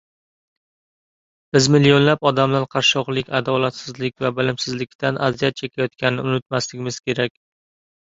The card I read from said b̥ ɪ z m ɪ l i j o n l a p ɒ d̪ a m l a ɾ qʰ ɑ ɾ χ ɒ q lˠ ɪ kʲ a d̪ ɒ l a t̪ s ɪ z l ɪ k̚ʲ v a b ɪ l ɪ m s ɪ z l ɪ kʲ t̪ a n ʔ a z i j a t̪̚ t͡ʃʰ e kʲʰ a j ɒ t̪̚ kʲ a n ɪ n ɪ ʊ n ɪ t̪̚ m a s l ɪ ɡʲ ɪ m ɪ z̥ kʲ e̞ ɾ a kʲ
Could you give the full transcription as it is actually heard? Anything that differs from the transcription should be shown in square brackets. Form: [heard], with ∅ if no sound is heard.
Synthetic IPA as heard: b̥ ɪ z m ɪ l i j o n l a p ɒ d̪ a m l a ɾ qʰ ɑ ɾ [ʃ] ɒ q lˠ ɪ kʲ a d̪ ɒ l a t̪ s ɪ z l ɪ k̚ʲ v a b ɪ l ɪ m s ɪ z l ɪ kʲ t̪ a n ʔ a z i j a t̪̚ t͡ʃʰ e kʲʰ a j ɒ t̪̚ kʲ a n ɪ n ɪ ʊ n ɪ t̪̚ m a s l ɪ ɡʲ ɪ m ɪ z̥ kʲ e̞ ɾ a kʲ